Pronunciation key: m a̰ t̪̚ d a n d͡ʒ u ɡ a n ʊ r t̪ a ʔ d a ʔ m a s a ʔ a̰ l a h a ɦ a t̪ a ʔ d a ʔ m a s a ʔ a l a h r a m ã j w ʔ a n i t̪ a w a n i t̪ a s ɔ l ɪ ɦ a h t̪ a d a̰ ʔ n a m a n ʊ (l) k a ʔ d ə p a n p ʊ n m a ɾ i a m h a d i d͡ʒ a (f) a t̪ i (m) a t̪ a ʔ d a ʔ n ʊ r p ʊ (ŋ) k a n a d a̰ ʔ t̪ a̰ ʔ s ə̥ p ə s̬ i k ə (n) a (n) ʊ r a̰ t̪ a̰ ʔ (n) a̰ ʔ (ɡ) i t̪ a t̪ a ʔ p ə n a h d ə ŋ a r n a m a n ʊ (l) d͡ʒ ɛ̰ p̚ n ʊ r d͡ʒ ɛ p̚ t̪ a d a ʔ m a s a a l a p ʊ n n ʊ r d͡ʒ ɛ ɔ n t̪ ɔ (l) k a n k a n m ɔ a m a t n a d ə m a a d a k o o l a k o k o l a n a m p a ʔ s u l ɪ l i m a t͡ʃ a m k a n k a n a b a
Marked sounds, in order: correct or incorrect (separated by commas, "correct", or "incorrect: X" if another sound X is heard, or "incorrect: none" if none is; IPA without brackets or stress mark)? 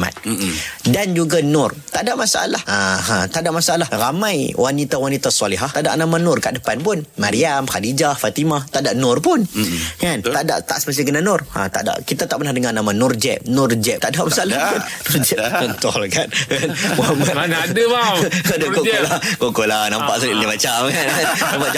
incorrect: r, correct, correct, incorrect: n, correct, correct, incorrect: d, incorrect: k, incorrect: r, correct